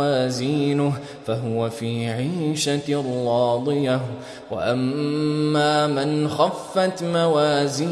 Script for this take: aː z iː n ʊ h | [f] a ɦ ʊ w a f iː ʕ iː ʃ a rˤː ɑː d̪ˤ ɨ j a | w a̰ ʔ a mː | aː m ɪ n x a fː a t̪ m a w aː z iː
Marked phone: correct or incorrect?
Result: correct